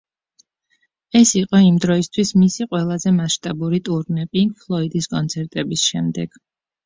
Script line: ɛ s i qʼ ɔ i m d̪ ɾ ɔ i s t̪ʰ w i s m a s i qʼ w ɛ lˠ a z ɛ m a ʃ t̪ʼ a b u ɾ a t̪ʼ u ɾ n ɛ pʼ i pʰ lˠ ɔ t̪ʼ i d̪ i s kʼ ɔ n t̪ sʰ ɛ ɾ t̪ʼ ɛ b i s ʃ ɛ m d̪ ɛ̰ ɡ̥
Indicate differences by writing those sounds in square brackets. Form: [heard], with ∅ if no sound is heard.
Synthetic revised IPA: ɛ s i qʼ ɔ i m d̪ ɾ ɔ i s t̪ʰ w i s m [i] s i qʼ w ɛ lˠ a z ɛ m a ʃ t̪ʼ a b u ɾ [i] t̪ʼ u ɾ n ɛ pʼ i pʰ lˠ ɔ [∅] i d̪ i s kʼ ɔ n t̪ sʰ ɛ ɾ t̪ʼ ɛ b i s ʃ ɛ m d̪ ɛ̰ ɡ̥